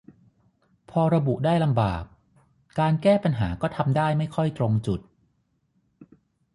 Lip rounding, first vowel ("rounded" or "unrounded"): rounded